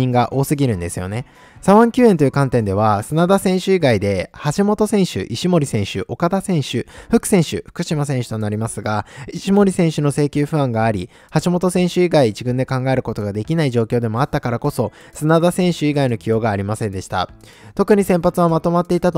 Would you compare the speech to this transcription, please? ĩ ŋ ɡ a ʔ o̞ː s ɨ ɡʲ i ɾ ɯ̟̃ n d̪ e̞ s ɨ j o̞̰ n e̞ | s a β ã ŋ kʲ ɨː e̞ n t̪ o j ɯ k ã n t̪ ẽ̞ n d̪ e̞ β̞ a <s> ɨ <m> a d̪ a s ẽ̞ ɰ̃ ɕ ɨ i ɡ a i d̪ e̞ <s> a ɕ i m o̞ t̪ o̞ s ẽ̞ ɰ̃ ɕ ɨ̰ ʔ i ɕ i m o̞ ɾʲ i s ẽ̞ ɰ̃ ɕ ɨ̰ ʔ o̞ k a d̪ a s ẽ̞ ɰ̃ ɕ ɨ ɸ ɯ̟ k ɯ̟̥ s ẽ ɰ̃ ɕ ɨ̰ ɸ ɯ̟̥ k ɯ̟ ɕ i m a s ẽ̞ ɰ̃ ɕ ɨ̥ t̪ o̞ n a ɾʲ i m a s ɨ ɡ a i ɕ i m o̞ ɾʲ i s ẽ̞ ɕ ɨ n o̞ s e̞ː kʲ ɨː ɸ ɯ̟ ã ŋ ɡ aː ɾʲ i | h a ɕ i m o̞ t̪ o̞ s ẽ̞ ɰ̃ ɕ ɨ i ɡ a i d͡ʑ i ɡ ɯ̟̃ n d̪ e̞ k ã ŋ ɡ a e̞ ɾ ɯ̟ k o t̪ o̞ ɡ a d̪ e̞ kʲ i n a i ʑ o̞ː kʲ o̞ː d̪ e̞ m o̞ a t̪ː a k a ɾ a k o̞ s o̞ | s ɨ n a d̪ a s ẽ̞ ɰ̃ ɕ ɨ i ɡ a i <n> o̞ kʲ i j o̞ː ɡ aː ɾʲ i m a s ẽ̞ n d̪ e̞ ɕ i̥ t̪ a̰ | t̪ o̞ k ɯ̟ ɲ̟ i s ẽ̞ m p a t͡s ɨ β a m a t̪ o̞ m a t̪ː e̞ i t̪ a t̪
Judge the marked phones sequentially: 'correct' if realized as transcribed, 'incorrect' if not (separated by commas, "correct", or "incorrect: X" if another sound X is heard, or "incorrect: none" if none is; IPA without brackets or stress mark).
correct, incorrect: n, incorrect: h, correct